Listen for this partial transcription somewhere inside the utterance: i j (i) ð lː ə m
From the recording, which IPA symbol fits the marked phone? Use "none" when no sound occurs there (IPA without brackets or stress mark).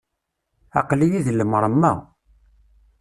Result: i